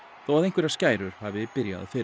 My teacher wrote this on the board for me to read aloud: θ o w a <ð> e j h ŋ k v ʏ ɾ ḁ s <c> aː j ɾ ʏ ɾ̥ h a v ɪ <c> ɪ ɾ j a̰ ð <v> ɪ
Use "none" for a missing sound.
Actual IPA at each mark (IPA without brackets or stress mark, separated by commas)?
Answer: ð, c, p, f